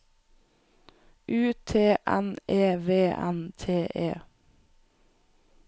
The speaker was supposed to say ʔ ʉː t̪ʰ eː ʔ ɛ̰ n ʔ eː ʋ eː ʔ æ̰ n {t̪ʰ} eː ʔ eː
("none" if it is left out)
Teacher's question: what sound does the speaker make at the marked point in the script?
t̪ʰ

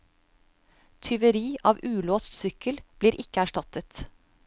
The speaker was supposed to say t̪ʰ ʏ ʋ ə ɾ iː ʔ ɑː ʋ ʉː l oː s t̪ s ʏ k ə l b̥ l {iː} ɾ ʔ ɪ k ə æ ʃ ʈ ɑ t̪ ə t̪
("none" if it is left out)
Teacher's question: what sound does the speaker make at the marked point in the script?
iː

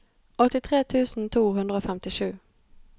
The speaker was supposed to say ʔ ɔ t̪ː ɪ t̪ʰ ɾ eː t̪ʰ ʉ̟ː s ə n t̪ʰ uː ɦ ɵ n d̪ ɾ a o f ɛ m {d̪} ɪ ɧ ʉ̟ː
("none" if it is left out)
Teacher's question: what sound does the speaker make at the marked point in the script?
t̪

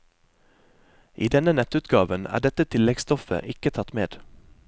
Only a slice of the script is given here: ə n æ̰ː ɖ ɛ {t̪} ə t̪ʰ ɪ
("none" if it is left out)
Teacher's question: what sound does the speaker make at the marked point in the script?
t̪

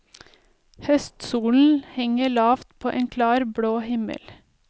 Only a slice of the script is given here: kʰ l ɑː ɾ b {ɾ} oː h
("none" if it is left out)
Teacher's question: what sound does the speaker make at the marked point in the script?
ɽ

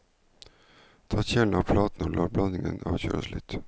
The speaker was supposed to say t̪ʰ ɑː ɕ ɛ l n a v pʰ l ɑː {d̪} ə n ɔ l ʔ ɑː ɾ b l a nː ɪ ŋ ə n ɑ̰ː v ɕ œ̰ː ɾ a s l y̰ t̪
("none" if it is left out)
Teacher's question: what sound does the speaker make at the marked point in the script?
t̪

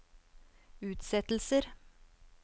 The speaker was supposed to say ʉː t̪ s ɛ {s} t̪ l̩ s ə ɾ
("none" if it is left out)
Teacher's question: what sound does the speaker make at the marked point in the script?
none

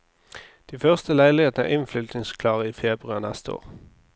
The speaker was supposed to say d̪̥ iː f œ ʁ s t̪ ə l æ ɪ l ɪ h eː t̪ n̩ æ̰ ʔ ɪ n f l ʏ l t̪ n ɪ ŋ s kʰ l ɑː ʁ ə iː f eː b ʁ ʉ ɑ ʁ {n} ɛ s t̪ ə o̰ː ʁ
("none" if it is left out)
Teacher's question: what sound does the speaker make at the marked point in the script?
n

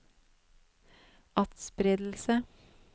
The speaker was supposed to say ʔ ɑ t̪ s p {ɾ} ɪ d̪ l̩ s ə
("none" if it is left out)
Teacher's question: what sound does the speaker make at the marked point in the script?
ɾ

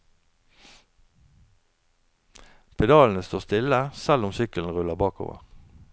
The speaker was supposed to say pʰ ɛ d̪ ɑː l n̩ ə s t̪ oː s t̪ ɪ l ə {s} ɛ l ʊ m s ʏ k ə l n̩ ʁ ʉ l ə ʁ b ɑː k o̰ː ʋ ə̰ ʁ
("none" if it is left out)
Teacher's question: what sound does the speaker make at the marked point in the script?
s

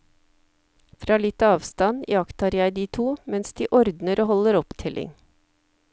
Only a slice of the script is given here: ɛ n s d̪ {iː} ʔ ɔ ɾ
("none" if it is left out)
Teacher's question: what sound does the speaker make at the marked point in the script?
iː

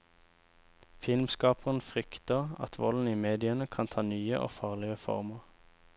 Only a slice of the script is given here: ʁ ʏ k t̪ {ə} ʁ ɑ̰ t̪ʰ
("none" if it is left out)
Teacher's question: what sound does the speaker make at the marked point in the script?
ə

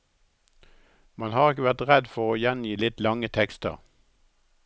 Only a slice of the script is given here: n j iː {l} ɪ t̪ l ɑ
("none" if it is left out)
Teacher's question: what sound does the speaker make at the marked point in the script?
l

